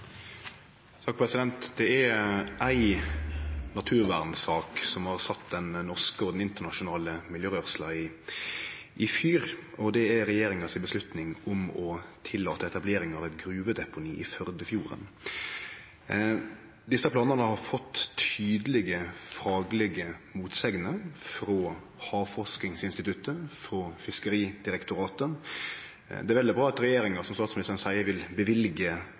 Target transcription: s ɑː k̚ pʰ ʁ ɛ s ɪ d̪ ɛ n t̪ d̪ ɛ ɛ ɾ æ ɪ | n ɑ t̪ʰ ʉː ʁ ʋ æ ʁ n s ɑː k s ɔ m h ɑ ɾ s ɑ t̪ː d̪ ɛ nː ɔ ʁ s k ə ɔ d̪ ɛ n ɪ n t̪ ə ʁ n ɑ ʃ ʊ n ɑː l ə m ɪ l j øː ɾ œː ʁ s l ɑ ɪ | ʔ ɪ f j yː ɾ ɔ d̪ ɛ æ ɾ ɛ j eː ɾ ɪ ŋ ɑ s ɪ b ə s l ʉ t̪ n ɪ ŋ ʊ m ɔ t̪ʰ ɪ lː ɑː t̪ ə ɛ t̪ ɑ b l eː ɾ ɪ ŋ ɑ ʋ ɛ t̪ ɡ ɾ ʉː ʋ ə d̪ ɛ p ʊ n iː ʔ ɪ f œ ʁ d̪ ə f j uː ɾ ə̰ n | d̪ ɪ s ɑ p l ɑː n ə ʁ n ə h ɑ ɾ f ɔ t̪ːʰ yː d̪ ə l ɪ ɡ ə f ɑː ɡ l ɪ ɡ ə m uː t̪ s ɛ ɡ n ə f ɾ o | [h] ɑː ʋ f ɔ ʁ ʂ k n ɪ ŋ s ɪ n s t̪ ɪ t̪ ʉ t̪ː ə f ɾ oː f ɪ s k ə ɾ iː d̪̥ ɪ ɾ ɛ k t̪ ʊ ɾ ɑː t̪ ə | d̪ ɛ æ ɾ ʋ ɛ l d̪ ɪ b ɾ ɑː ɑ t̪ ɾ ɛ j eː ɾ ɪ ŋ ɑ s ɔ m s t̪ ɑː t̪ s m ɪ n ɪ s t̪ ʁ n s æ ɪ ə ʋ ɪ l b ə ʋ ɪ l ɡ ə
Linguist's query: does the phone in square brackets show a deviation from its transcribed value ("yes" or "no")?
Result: no